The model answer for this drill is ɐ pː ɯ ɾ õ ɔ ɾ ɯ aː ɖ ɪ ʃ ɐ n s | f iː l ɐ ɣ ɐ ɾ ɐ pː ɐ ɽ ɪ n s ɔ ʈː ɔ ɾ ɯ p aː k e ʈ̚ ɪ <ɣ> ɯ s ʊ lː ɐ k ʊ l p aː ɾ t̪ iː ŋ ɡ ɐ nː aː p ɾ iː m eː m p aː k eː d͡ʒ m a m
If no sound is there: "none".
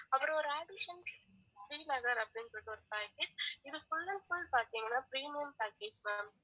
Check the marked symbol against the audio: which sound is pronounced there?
ð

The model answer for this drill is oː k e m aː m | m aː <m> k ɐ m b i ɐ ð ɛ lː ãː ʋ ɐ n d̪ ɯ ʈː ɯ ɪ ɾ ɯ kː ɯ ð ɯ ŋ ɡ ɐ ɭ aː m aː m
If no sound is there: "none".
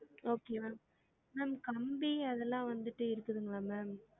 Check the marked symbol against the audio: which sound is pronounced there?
m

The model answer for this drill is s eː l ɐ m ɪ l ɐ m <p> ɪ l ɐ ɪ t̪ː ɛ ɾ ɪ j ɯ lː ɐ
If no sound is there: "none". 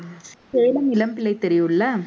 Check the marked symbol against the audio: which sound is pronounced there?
p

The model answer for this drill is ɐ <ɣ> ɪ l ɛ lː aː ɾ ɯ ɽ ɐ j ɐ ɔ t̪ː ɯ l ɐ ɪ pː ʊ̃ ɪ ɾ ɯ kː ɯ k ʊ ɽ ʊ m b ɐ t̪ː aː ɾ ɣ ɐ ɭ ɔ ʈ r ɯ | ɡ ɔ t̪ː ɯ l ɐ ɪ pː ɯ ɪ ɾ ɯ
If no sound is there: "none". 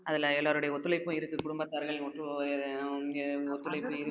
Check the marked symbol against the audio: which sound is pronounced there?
ð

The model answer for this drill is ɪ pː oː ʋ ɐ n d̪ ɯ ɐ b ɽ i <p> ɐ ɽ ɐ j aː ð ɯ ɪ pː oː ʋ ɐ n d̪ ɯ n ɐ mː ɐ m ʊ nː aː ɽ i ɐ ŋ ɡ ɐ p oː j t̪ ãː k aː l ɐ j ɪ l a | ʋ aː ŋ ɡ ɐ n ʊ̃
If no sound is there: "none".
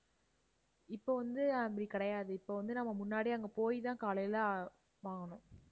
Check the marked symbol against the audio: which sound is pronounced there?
k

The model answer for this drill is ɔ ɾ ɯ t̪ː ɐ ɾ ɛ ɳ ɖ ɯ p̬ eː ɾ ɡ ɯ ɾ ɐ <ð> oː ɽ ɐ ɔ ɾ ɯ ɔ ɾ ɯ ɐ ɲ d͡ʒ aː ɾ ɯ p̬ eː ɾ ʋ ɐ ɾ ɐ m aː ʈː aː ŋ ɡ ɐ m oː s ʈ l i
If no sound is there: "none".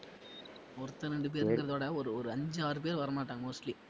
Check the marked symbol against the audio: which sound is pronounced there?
ð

